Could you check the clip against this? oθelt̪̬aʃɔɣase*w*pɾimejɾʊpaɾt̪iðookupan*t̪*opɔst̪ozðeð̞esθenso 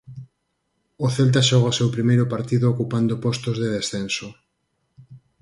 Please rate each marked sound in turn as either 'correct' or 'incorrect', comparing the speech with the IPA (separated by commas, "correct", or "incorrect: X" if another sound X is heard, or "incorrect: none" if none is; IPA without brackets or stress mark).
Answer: correct, incorrect: d̪